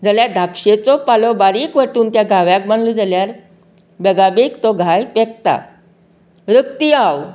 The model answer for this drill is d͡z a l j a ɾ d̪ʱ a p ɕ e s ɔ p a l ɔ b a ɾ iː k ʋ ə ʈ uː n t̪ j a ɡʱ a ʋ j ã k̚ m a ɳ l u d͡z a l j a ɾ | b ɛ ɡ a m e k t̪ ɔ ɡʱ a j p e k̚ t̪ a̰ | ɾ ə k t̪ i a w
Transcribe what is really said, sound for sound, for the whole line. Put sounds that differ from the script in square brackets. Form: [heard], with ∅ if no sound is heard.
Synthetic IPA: d͡z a l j a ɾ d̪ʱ a p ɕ e [t͡s] ɔ p a l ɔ b a ɾ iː k ʋ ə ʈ uː n t̪ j a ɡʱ a ʋ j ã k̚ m a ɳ l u d͡z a l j a ɾ | b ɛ ɡ a [b] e k t̪ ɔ ɡʱ a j p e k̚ t̪ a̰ | ɾ ə k t̪ i a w